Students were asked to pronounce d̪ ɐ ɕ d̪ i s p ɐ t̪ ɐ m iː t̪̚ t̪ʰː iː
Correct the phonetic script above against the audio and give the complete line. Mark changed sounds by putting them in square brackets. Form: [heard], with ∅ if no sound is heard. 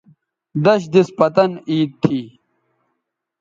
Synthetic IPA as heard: d̪ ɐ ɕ d̪ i s p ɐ t̪ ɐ [n] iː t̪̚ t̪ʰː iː